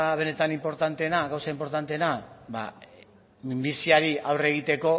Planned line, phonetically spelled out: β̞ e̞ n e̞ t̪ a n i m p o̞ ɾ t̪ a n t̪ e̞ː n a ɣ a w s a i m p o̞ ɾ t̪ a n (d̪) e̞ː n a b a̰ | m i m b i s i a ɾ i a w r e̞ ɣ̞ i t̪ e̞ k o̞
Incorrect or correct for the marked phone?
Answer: incorrect: t̪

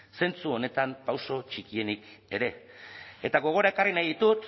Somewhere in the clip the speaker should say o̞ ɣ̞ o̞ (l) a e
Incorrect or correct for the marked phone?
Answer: incorrect: ɾ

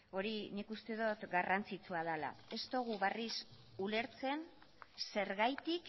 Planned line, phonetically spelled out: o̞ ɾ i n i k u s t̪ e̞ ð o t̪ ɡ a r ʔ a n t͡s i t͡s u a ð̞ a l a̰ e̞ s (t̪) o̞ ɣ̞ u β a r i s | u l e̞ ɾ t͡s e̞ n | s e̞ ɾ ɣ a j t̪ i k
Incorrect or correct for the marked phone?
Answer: correct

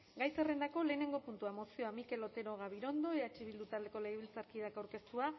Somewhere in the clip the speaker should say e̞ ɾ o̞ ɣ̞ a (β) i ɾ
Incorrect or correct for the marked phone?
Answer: correct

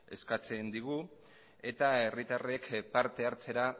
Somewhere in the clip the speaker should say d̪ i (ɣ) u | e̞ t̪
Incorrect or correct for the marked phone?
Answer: correct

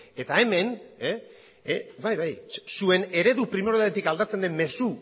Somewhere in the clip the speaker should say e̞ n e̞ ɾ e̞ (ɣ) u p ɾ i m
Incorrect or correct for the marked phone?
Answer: incorrect: ð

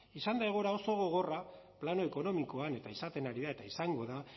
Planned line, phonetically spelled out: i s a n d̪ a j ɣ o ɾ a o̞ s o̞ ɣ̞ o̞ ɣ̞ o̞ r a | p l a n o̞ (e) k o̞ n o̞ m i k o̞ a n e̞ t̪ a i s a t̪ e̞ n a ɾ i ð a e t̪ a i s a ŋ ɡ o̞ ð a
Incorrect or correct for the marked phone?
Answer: correct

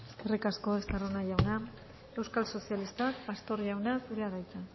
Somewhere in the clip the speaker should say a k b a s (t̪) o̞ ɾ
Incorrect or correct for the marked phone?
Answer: correct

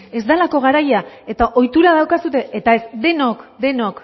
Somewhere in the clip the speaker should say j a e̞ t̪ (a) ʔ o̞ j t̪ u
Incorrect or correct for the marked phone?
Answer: correct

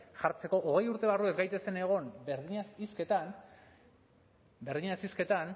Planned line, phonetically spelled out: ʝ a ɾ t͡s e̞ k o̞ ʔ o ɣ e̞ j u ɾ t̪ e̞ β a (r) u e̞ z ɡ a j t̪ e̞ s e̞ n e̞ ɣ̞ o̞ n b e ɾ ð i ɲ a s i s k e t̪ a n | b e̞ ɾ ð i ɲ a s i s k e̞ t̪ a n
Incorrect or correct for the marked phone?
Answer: correct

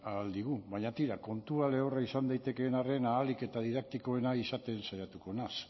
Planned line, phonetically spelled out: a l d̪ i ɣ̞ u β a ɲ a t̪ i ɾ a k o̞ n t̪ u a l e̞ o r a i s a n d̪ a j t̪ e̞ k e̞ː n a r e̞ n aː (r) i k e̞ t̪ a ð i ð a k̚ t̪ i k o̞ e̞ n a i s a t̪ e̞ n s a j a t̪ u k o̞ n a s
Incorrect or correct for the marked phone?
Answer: incorrect: l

